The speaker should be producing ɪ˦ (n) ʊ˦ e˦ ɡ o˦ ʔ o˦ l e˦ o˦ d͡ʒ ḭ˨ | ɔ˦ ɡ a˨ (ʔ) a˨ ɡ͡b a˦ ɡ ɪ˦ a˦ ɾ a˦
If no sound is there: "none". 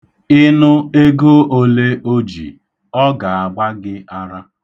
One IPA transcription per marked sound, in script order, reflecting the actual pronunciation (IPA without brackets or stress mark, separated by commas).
n, none